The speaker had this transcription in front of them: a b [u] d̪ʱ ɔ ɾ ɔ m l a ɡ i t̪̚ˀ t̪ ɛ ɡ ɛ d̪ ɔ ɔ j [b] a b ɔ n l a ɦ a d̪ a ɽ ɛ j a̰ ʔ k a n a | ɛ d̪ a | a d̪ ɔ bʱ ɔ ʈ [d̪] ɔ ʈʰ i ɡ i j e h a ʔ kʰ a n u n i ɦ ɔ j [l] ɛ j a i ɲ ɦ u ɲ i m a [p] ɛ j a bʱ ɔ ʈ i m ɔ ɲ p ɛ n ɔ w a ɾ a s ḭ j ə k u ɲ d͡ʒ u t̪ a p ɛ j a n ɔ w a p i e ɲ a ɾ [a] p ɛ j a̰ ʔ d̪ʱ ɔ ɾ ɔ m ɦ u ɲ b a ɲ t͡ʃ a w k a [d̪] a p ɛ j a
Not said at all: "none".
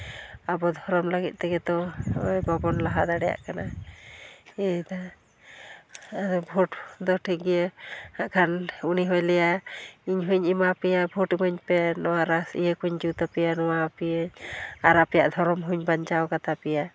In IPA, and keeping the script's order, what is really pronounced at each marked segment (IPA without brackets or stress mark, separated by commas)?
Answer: ɔ, b, d̪, l, p, a, t̪